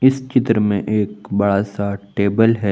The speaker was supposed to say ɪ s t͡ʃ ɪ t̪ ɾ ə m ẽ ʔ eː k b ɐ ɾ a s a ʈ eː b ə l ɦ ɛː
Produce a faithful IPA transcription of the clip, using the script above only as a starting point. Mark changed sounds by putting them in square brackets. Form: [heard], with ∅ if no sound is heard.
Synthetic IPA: ɪ s t͡ʃ ɪ t̪ ɾ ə m ẽ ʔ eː k b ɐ [ɽ] a s a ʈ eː b ə l ɦ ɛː